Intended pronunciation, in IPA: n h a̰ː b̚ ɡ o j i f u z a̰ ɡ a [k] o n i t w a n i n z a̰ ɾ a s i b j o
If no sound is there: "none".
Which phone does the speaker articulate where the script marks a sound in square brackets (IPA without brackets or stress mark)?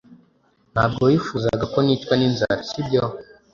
k